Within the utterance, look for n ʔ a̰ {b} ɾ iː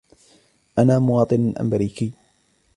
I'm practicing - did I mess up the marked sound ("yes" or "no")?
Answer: yes